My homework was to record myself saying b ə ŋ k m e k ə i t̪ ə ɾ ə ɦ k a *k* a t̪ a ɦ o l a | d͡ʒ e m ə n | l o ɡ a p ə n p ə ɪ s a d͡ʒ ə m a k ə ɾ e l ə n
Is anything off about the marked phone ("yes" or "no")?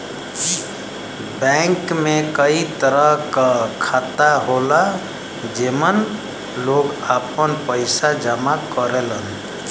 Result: yes